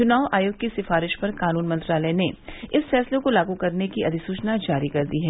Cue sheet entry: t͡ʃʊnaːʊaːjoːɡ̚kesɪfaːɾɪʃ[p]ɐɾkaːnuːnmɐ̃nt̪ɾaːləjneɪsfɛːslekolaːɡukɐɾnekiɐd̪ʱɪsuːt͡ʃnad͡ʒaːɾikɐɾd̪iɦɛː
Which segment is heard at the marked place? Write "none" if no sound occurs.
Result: p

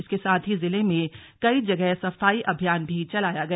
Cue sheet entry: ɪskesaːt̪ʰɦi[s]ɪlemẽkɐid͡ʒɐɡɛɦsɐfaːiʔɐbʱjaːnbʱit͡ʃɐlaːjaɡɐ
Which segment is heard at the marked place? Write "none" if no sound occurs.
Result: z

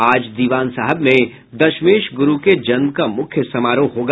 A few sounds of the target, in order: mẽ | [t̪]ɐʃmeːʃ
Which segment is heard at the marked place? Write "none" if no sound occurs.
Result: d̪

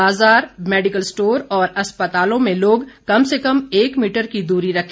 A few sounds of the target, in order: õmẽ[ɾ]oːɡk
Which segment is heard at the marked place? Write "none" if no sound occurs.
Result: l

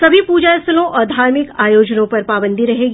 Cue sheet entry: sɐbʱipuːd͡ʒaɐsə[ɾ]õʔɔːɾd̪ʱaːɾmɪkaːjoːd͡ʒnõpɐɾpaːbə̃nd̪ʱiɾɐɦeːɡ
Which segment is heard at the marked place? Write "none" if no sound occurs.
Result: l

